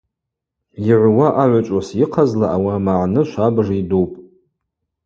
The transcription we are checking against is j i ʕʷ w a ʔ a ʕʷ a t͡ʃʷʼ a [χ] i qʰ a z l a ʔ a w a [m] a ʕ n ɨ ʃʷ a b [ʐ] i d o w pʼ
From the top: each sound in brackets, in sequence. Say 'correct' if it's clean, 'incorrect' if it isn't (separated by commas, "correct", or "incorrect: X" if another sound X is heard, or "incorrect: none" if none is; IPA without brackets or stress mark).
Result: incorrect: s, correct, correct